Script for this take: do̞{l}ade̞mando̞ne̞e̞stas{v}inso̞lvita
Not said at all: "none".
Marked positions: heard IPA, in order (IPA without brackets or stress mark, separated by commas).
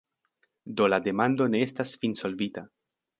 l, f